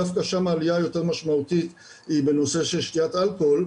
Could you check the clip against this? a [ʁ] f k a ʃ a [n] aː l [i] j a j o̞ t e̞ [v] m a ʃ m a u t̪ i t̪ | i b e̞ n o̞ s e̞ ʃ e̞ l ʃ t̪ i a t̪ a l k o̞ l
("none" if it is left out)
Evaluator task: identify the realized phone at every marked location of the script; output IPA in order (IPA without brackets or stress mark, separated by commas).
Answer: none, m, i, ʁ